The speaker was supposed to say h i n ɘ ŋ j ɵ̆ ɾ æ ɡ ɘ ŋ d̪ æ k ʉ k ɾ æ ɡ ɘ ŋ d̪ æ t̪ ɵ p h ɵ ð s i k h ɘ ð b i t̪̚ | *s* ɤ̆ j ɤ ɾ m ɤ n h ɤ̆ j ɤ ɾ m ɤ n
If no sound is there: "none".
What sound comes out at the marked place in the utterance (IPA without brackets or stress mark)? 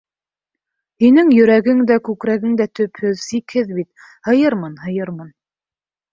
h